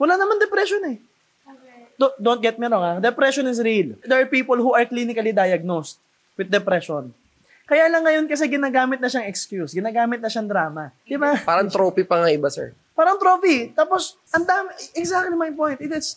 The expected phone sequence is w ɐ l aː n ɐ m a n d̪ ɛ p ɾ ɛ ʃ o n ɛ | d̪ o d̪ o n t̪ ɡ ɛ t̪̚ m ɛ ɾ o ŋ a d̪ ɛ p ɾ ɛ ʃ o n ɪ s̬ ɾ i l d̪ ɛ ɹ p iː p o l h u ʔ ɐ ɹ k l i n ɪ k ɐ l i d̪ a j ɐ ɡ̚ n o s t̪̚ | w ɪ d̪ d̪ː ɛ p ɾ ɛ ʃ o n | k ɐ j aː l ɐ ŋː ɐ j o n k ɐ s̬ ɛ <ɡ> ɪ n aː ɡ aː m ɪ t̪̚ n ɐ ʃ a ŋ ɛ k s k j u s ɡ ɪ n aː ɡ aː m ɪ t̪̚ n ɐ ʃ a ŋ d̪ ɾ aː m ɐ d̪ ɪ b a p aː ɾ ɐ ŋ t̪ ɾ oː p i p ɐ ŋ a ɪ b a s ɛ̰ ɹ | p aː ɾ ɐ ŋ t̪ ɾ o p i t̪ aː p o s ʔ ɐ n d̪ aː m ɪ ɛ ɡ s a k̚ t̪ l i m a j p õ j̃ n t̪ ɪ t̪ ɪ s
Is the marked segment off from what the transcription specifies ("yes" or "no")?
no